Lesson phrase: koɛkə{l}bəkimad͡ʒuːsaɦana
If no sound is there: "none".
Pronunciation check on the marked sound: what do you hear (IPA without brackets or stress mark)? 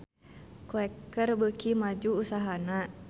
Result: r